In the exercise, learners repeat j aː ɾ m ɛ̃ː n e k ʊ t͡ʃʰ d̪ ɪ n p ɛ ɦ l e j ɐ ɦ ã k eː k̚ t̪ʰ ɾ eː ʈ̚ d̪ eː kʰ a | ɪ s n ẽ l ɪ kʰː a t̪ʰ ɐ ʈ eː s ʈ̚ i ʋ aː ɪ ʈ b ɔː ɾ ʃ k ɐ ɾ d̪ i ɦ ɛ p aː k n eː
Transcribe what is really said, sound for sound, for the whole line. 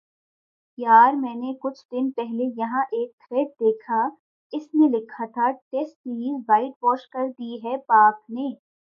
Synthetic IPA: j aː ɾ m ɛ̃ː n e k ʊ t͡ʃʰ d̪ ɪ n p ɛ ɦ l e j ɐ ɦ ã ʔ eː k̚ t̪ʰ ɾ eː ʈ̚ d̪ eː kʰ a | ɪ s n ẽ l ɪ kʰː a t̪ʰ a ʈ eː s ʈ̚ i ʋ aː ɪ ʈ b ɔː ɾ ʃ k ɐ ɾ d̪ i ɦ ɛ p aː k n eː